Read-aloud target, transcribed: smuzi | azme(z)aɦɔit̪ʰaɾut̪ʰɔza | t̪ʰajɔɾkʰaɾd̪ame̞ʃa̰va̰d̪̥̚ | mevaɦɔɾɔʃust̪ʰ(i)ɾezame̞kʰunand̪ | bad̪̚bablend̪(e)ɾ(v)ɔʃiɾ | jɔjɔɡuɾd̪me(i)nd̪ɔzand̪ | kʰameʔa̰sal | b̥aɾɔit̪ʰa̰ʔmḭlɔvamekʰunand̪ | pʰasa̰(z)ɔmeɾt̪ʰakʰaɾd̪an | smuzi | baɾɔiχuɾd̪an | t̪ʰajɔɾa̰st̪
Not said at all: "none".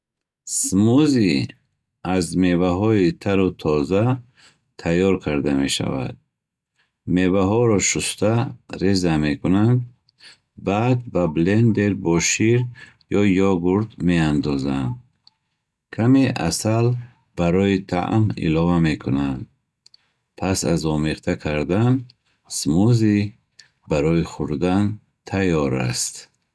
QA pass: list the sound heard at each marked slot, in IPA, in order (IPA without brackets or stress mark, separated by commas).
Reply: v, a, e, b, a, z